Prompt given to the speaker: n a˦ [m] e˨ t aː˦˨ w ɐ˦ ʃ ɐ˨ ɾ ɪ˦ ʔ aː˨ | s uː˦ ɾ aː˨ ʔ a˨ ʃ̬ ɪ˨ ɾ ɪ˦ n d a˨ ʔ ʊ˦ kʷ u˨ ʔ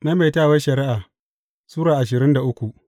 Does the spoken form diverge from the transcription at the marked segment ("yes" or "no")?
no